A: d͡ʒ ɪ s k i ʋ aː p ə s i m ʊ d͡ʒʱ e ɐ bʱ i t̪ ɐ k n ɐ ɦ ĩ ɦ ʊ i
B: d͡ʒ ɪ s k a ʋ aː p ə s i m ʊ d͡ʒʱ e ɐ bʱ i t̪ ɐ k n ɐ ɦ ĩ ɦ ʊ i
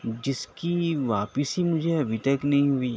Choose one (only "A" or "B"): A